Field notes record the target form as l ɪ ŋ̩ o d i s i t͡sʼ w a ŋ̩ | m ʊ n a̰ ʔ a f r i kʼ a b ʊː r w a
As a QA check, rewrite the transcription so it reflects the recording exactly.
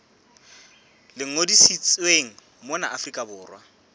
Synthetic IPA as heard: l ɪ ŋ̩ o d i s i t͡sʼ w e ŋ̩ | m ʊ n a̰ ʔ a f r i kʼ a b ʊː r w a